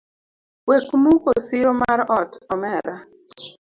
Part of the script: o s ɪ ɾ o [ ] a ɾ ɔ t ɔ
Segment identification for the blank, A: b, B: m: B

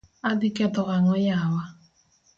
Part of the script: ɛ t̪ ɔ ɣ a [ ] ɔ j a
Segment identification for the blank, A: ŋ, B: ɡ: A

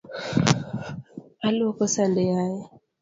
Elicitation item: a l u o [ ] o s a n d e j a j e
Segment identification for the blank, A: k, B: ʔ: A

